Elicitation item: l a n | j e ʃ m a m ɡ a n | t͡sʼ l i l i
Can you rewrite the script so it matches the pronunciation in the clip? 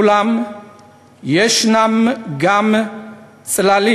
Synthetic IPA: l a m | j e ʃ n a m ɡ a m | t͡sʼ l a l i